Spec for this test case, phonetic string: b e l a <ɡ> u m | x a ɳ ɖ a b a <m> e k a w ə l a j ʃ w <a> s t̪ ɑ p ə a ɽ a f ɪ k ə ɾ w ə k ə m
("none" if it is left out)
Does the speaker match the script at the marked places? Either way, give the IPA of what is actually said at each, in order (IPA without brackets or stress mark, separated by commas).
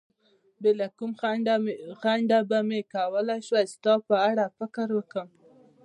k, m, a